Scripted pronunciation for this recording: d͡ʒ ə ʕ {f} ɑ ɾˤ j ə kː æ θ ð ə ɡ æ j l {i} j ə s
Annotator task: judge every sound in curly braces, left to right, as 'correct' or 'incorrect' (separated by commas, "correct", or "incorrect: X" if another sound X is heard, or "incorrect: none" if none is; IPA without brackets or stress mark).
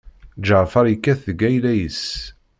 correct, incorrect: æ